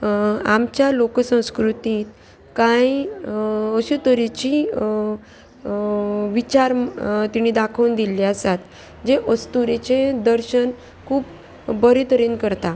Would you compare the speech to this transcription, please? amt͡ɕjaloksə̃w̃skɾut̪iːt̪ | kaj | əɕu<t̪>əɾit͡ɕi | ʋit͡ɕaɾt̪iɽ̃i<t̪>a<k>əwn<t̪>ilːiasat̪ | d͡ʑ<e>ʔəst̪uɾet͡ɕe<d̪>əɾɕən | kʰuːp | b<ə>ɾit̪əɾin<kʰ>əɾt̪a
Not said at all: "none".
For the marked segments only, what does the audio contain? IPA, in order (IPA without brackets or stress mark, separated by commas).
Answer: t̪, d̪, kʰ, d̪, e, d̪, ə, k